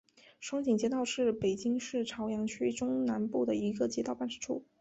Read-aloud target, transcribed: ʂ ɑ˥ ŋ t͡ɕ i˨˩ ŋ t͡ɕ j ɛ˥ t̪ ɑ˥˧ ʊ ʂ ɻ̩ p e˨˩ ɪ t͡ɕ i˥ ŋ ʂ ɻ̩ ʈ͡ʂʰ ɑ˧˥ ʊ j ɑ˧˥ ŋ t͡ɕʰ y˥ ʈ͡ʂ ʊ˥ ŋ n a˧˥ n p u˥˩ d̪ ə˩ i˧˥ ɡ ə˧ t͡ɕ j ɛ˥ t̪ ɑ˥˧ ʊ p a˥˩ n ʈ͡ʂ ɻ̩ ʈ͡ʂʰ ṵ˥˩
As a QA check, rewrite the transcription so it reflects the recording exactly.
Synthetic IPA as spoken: ʂ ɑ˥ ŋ t͡ɕ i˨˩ ŋ t͡ɕ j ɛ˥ t̪ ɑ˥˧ ʊ ʂ ɻ̩ p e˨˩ ɪ t͡ɕ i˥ ŋ ʂ ɻ̩ ʈ͡ʂʰ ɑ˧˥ ʊ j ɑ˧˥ ŋ t͡ɕʰ y˥ ʈ͡ʂ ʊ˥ ŋ n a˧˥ n p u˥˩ d̪ ə˩ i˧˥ ɡ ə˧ t͡ɕ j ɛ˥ t̪ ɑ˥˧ ʊ p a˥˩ n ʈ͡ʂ ɻ̩ ʈ͡ʂʰ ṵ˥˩